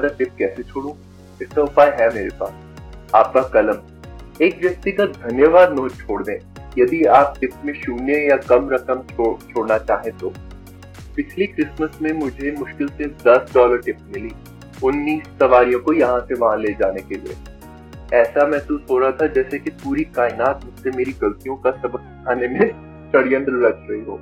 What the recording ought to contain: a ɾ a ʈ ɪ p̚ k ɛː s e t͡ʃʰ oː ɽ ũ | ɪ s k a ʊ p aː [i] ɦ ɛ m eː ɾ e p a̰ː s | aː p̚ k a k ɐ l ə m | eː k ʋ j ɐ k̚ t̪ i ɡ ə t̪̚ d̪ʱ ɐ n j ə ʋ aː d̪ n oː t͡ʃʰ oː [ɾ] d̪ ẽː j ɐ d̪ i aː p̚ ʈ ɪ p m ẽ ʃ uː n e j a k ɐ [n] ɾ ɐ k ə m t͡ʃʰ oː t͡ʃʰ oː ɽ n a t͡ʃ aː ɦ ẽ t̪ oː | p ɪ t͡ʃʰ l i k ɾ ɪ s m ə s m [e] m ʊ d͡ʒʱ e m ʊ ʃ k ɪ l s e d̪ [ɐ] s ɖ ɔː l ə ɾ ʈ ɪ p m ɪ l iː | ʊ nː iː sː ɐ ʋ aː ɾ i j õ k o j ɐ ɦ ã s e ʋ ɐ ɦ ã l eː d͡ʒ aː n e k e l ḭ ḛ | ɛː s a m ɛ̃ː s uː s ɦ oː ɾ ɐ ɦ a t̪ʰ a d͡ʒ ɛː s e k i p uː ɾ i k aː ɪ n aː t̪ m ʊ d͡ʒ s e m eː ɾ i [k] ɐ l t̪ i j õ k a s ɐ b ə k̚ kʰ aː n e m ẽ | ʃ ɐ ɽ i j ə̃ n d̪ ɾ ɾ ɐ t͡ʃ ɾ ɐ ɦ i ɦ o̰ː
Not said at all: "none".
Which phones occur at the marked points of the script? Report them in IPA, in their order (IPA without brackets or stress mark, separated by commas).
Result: j, ɽ, m, ẽ, ɐ, ɡ